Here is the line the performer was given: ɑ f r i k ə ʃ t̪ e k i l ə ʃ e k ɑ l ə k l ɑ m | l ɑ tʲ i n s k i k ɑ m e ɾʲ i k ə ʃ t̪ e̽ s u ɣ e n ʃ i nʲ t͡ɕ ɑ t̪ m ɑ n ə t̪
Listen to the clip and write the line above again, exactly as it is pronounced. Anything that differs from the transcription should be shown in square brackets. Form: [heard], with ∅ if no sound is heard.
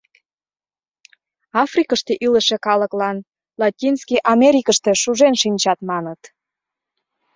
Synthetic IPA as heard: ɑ f r i k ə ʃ t̪ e [ʔ] i l ə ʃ e k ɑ l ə k l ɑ [n] | l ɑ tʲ i n s k i [ʔ] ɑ m e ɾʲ i k ə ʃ t̪ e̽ [ʃ] u [ʒ] e n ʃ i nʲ t͡ɕ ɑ t̪ m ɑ n ə t̪

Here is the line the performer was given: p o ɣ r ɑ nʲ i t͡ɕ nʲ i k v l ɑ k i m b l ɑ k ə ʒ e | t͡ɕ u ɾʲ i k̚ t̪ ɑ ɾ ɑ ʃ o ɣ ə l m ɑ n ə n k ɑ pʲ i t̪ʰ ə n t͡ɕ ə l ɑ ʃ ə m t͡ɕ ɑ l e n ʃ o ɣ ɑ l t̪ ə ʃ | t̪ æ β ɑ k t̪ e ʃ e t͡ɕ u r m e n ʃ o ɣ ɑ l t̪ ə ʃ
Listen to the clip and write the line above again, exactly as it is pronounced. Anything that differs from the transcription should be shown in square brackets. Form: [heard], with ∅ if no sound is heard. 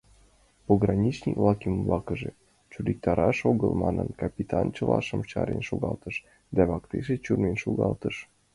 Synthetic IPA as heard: p o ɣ r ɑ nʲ i t͡ɕ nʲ i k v l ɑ k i m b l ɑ k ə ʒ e | t͡ɕ u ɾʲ i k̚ t̪ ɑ ɾ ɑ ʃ o ɣ ə l m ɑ n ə n k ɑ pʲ i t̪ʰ [ɑ] n t͡ɕ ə l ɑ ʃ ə m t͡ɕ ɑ [ɾ] e n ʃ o ɣ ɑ l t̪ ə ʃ | [d̪] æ β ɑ k t̪ e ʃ e t͡ɕ u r m e n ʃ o ɣ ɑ l t̪ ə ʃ

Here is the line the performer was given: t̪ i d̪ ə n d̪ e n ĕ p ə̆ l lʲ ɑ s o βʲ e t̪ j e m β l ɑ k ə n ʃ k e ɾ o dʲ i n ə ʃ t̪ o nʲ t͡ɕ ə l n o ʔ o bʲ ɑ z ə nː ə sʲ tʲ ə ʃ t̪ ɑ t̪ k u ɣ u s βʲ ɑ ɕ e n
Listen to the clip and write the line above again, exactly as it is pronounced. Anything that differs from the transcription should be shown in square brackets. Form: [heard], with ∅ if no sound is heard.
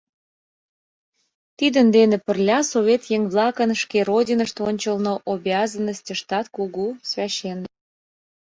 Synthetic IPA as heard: t̪ i d̪ ə n d̪ e n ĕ p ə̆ [r] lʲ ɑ s o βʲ e t̪ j e [ŋ] β l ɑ k ə n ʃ k e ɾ o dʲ i n ə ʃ t̪ o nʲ t͡ɕ ə l n o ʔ o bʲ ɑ z ə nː ə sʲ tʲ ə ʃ t̪ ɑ t̪ k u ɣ u s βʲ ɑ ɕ e n

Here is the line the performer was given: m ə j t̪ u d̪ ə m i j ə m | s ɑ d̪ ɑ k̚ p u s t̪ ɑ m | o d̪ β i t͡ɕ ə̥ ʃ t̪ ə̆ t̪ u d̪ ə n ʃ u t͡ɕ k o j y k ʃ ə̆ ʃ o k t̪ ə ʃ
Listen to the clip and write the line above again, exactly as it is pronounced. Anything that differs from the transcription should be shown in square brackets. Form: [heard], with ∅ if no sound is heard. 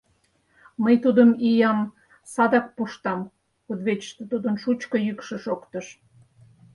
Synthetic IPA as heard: m ə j t̪ u d̪ ə m i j [ɑ] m | s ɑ d̪ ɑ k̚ p u [ʃ] t̪ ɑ m | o d̪ β [e] t͡ɕ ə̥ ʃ t̪ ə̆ t̪ u d̪ ə n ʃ u t͡ɕ k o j y k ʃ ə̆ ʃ o k t̪ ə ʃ

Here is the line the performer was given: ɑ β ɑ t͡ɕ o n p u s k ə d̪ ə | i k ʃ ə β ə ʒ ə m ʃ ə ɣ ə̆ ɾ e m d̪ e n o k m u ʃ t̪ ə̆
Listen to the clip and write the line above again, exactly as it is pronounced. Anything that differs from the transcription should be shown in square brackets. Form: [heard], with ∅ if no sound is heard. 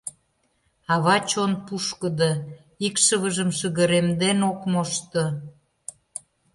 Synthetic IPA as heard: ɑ β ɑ t͡ɕ o n p u [ʃ] k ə d̪ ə | i k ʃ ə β ə ʒ ə m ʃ ə ɣ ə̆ ɾ e m d̪ e n o k m [o] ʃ t̪ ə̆

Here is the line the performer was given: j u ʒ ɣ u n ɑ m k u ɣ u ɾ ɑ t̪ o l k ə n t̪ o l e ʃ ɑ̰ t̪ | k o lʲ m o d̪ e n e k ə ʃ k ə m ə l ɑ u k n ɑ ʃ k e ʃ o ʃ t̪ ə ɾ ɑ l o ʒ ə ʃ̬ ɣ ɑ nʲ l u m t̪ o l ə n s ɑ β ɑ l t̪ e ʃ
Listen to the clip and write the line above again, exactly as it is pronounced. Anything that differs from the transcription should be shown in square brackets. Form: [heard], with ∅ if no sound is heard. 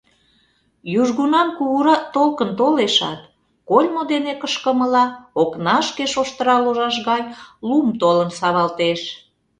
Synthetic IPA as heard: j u ʒ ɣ u n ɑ m k u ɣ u ɾ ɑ t̪ o l k ə n t̪ o l e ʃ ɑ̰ t̪ | k o lʲ m o d̪ e n e k ə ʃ k ə m ə l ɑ [o] k n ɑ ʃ k e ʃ o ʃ t̪ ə ɾ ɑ l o ʒ [ɑ] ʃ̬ ɣ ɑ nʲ l u m t̪ o l ə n s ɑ β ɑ l t̪ e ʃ

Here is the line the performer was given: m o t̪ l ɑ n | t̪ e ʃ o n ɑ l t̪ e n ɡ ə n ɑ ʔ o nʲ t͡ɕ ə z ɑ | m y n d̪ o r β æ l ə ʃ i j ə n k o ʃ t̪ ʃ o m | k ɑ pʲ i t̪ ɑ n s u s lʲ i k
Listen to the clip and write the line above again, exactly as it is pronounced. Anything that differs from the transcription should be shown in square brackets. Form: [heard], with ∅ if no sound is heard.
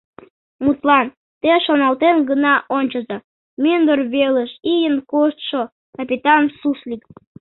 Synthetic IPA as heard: m [u] t̪ l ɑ n | t̪ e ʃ o n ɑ l t̪ e n ɡ ə n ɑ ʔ o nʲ t͡ɕ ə z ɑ | m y n d̪ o r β [e] l ə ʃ i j ə n k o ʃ t̪ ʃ o [∅] | k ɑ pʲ i t̪ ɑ n s u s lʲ i k

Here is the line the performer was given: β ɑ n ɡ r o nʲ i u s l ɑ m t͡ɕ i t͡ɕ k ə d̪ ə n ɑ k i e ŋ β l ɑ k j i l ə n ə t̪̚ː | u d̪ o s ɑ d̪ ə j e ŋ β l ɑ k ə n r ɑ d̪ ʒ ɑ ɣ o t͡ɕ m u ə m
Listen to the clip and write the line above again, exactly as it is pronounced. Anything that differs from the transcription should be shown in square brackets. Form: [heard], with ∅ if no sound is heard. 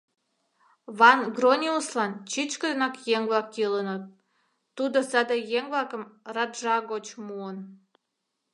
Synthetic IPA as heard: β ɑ n ɡ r o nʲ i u s l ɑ [n] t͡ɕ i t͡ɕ k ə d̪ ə n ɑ k [j] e ŋ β l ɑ k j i l ə n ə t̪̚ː | u d̪ o s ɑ d̪ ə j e ŋ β l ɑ k ə [m] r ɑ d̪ ʒ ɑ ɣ o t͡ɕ m u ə [n]

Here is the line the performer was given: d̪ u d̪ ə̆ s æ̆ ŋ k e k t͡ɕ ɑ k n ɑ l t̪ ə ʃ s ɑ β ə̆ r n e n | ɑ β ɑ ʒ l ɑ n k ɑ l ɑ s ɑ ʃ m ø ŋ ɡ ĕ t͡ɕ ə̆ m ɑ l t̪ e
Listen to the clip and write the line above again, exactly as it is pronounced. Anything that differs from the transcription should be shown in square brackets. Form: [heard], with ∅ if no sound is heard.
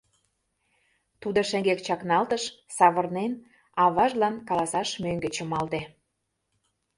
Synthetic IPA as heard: [t̪] u d̪ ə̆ [ʃ] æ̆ ŋ [ɡ] e k t͡ɕ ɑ k n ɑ l t̪ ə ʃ s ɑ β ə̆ r n e n | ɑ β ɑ ʒ l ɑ n k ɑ l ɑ s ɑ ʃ m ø ŋ ɡ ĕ t͡ɕ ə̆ m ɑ l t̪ e

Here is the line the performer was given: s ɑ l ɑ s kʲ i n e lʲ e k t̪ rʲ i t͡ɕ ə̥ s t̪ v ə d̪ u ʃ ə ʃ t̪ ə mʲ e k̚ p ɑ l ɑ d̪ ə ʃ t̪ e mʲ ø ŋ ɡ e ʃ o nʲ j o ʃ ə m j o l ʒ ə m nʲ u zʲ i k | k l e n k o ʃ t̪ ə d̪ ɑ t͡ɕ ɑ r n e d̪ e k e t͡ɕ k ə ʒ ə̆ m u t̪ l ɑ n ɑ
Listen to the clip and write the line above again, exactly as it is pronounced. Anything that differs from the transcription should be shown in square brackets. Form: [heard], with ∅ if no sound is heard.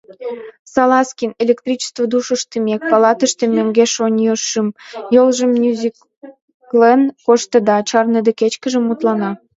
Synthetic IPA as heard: s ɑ l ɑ s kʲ i n e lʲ e k t̪ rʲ i t͡ɕ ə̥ s t̪ v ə d̪ u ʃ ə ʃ t̪ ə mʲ e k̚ p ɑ l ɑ [t̪] ə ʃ t̪ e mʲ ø ŋ ɡ e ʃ o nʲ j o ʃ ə m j o l ʒ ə m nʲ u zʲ i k | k l e n k o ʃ t̪ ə d̪ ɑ t͡ɕ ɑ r n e d̪ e k e t͡ɕ k ə ʒ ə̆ m u t̪ l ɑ n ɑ

